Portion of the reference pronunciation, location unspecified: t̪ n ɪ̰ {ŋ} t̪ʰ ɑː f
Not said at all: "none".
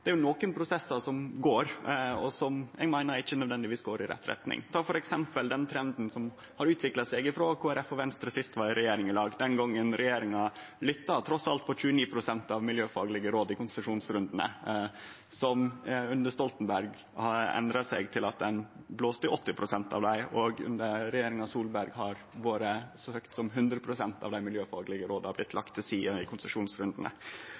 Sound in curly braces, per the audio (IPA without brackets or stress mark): ŋ